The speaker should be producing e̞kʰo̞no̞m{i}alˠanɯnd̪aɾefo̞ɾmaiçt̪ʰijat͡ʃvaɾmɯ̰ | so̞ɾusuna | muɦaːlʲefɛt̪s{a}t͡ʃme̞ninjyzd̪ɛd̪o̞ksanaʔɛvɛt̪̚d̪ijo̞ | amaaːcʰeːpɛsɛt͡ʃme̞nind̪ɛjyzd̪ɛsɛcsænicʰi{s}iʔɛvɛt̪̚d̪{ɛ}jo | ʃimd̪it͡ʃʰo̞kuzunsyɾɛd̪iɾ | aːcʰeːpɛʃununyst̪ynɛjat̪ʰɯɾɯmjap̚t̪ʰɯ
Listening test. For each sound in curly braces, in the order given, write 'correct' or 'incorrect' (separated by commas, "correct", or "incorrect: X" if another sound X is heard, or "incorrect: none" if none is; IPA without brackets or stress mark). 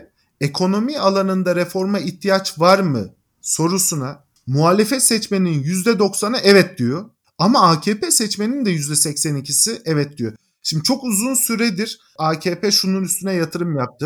correct, incorrect: ɛ, correct, incorrect: i